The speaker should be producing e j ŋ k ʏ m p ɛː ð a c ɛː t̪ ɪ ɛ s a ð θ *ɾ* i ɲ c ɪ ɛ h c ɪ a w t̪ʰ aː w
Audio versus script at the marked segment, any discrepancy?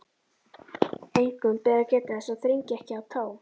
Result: no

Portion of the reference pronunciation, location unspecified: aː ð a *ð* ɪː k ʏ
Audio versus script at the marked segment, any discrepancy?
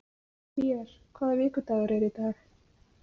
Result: yes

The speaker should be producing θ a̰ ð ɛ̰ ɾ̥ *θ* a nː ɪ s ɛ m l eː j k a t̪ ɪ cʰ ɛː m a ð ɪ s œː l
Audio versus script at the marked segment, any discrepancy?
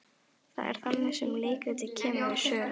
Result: no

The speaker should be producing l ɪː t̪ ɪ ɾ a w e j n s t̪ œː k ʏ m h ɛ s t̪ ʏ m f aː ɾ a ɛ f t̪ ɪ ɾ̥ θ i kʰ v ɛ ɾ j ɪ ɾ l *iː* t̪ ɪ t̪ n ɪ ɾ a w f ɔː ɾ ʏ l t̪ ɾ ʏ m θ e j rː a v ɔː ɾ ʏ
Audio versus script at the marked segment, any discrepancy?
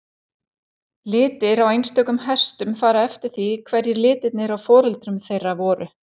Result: yes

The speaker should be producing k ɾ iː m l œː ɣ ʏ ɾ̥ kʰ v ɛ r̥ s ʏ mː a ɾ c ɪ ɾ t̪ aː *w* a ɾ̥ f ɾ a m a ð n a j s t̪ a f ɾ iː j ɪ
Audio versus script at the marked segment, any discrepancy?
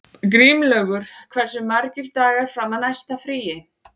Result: yes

